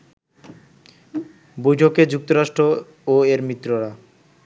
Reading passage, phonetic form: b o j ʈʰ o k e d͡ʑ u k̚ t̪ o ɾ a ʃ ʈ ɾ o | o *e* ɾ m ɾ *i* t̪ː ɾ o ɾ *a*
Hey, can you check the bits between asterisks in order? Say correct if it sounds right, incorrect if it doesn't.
correct, correct, correct

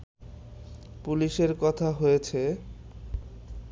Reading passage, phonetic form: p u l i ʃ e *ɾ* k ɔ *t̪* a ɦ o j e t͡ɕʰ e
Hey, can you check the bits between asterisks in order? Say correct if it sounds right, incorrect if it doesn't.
correct, incorrect: t̪ʰ

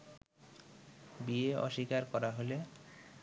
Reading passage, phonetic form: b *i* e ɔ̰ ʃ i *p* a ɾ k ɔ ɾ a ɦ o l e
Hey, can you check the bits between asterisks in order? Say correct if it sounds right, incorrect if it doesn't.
correct, incorrect: k

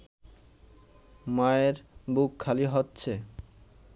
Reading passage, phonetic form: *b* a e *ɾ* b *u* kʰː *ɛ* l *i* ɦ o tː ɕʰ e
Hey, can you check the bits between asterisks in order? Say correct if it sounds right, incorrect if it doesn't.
incorrect: m, correct, correct, incorrect: a, correct

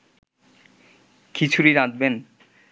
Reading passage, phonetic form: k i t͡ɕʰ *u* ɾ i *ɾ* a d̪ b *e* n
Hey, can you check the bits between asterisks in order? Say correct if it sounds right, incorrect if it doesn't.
correct, correct, correct

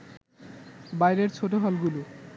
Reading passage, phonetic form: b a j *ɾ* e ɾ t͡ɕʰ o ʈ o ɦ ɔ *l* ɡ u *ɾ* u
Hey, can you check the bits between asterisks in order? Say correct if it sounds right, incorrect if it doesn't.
correct, correct, incorrect: l

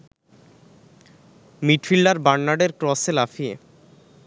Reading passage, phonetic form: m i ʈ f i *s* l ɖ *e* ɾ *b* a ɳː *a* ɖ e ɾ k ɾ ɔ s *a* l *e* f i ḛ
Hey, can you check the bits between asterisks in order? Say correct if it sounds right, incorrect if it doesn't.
incorrect: none, incorrect: a, correct, correct, incorrect: e, incorrect: a

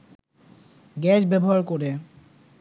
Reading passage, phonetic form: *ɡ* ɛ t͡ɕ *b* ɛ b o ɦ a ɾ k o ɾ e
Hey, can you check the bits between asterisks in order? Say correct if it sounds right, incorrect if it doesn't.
correct, correct

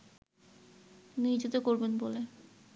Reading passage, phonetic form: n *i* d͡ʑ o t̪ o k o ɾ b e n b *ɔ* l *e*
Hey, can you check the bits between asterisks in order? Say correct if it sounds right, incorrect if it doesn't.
correct, incorrect: o, correct

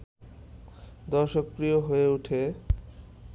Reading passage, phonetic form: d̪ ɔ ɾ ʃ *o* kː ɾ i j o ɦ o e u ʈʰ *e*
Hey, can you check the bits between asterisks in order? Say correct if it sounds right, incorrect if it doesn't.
correct, correct

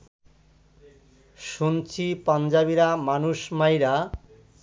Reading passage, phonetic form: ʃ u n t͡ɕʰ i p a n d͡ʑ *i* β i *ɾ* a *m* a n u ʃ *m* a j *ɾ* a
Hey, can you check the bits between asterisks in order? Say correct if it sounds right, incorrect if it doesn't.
incorrect: a, correct, correct, correct, correct

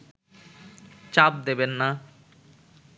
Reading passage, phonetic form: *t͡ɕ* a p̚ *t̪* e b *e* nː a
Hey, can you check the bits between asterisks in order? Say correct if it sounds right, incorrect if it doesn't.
correct, incorrect: d̪, correct

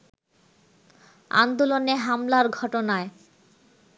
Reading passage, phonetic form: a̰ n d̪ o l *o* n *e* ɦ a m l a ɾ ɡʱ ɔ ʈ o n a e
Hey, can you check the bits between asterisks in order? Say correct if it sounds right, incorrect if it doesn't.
correct, correct

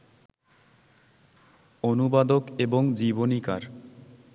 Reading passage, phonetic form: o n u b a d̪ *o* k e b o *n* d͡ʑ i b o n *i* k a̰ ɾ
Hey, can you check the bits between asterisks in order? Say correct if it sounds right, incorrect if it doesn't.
correct, incorrect: ŋ, correct

